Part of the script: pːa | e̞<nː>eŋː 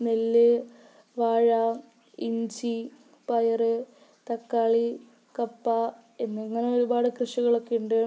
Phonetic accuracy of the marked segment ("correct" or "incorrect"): correct